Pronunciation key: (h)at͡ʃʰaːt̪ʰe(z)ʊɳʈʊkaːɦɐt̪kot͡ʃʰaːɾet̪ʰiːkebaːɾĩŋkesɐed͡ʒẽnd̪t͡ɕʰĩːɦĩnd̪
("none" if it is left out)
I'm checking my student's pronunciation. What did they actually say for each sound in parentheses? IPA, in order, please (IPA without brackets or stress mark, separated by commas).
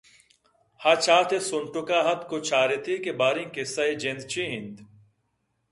h, s